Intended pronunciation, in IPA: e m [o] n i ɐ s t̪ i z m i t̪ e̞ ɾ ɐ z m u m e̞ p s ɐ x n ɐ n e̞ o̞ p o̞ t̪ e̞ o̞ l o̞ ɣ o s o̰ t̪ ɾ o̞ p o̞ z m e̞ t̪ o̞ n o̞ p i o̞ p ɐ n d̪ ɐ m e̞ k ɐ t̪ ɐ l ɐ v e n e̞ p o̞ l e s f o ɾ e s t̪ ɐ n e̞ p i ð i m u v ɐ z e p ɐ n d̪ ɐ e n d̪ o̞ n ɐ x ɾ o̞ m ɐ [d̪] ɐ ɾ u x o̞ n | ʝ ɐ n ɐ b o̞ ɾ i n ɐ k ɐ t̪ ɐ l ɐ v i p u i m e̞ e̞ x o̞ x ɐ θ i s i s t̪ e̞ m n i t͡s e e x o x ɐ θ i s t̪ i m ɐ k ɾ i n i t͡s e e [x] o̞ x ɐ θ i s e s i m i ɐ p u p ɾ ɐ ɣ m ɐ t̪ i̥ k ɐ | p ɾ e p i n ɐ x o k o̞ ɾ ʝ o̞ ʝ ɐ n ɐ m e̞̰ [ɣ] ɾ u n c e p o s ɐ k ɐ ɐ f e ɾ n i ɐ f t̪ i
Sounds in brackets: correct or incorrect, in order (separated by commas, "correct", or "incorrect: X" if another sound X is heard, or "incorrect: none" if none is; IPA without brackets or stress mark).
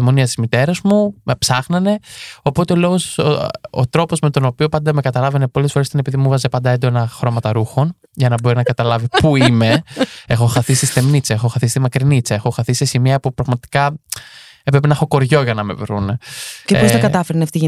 correct, incorrect: t̪, correct, incorrect: v